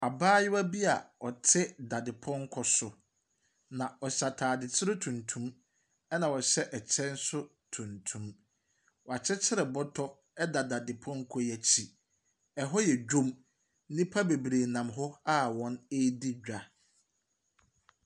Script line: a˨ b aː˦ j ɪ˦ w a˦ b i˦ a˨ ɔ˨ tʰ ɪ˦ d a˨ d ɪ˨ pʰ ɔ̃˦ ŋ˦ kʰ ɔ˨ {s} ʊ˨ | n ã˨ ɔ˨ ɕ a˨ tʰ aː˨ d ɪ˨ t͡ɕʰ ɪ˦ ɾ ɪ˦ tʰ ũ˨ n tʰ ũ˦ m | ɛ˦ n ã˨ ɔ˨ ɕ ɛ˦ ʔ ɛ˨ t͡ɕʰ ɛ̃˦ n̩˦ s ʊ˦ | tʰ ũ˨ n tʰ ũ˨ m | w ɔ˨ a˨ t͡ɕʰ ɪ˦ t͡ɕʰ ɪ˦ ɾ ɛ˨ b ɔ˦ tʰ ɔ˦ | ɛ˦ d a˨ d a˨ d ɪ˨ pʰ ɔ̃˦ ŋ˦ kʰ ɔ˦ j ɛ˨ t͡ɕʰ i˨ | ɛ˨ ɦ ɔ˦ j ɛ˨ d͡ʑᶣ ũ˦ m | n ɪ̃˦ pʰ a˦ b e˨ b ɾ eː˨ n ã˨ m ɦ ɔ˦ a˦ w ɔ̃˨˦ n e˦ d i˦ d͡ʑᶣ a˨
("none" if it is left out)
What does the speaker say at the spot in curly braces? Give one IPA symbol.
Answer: s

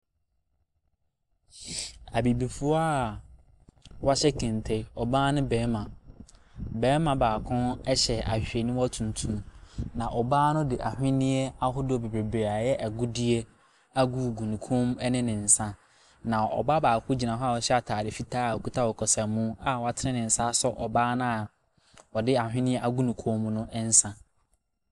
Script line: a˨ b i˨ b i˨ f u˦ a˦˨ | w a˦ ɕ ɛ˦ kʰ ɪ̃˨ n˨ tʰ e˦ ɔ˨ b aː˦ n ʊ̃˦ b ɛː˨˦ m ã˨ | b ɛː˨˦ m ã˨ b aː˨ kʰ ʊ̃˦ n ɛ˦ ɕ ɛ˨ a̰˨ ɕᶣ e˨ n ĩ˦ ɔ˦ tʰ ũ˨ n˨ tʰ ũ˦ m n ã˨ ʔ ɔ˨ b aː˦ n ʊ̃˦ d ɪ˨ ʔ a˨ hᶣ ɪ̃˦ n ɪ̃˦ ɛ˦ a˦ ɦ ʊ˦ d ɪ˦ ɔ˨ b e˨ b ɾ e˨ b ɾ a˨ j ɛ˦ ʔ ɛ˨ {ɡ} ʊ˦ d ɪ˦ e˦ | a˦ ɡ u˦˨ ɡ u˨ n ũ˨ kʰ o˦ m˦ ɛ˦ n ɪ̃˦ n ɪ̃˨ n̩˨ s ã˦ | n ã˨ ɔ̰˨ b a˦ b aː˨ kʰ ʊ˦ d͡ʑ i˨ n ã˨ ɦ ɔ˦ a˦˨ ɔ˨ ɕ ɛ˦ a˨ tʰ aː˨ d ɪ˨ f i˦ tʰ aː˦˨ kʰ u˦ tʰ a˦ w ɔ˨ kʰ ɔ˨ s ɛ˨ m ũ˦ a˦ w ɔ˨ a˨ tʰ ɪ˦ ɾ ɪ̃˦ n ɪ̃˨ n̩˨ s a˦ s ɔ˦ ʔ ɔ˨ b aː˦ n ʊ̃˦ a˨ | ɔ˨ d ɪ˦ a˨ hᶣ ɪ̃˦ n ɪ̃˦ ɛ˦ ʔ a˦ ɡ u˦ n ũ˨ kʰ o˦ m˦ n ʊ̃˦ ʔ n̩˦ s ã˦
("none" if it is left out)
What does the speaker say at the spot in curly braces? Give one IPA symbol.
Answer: ɡ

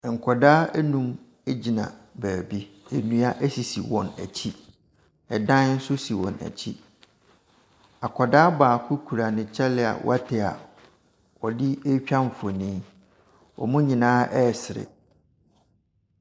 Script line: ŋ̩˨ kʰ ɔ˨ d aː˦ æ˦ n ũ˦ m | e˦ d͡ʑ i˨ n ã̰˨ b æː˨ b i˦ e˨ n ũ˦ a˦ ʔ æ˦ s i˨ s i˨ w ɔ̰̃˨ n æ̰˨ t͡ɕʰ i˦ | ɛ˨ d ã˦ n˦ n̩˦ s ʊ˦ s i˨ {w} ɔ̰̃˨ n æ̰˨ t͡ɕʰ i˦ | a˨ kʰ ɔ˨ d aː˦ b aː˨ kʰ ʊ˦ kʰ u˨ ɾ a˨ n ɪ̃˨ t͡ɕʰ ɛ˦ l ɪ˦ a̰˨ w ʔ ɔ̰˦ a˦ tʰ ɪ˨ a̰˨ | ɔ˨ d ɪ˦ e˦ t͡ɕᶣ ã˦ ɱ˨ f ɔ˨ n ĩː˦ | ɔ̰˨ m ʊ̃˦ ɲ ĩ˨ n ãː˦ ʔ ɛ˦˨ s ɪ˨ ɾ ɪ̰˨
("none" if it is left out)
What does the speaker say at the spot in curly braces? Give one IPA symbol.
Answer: w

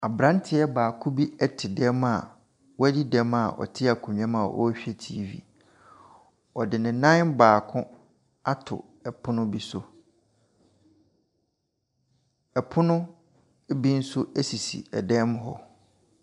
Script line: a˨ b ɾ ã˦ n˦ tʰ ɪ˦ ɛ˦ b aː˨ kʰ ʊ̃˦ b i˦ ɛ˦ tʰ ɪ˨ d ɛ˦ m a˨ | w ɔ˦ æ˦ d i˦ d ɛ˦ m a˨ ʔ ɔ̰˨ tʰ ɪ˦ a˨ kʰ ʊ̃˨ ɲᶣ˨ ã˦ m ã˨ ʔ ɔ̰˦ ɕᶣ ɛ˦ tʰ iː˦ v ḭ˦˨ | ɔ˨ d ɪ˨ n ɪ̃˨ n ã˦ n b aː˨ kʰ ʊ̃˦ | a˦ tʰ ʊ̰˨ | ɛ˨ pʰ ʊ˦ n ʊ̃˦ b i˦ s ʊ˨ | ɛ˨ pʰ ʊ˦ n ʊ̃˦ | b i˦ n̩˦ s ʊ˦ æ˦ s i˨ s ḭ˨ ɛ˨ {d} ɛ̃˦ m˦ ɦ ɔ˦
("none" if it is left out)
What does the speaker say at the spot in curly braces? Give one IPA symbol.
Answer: d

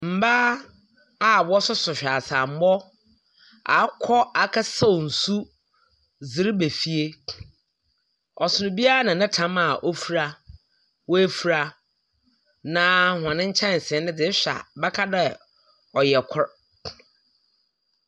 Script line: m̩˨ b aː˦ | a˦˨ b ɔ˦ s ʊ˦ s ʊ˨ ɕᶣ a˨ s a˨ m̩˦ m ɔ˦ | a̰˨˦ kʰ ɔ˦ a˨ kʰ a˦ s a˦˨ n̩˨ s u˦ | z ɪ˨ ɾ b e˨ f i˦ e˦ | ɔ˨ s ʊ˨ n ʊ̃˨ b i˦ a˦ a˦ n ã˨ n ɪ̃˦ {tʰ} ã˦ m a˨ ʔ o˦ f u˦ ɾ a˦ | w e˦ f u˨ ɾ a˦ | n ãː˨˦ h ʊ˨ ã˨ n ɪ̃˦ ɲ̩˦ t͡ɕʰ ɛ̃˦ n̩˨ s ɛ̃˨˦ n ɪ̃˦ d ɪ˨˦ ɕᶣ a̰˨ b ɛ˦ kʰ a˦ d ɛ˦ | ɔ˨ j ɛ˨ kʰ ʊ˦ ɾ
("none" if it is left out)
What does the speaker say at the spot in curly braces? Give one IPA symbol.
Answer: tʰ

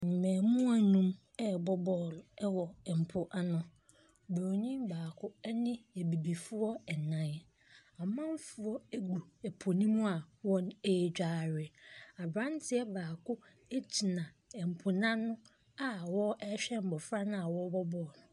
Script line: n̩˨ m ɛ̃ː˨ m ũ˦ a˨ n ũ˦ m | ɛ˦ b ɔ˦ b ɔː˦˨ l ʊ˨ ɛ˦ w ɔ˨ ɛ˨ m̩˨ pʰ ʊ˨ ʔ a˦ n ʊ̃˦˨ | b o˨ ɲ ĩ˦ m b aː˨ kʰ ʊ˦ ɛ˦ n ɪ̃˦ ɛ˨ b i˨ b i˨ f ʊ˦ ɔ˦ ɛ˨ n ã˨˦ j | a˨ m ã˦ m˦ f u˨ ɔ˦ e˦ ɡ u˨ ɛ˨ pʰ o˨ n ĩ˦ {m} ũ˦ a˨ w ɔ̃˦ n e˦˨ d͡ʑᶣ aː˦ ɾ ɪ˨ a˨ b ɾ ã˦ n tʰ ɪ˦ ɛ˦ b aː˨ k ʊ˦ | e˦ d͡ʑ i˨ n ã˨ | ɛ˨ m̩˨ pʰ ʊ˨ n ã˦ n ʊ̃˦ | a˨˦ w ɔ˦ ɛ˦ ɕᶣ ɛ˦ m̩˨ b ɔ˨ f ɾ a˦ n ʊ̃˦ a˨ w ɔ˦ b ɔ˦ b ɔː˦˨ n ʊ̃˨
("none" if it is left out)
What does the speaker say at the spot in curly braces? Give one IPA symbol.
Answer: m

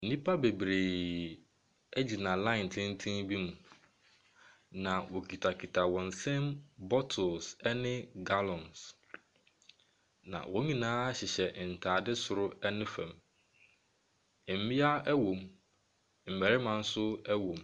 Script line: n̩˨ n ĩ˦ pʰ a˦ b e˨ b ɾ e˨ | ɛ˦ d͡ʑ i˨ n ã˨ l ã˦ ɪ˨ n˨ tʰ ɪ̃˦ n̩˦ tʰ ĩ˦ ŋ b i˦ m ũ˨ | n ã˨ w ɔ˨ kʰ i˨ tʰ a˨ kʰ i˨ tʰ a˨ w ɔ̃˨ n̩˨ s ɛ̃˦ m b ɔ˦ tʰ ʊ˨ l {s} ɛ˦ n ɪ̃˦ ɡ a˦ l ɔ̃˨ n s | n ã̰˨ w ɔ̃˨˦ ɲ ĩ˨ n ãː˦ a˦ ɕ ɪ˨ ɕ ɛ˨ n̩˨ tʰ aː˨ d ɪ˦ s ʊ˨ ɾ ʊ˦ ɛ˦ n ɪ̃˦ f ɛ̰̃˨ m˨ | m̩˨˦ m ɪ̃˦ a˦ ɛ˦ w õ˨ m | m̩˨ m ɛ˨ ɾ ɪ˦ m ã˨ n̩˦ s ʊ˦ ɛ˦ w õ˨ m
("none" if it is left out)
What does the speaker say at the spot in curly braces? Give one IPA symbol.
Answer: s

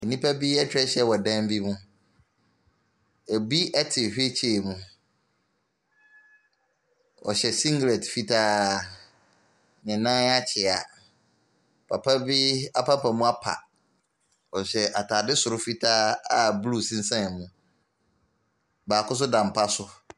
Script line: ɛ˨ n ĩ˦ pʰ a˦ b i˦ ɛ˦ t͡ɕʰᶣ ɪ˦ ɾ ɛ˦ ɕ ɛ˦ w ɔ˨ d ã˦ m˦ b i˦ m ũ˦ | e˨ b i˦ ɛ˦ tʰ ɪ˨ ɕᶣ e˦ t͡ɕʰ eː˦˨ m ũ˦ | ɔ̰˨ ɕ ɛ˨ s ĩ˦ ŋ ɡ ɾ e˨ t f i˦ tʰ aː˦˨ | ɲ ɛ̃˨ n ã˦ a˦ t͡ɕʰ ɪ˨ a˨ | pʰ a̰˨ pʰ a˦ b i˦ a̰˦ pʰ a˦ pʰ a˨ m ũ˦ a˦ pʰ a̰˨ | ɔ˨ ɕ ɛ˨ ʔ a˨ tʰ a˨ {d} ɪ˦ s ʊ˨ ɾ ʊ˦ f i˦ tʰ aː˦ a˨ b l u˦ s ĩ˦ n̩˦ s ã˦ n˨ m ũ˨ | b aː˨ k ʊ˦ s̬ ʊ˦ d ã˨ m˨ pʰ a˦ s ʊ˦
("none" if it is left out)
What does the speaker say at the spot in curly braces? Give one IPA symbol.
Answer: d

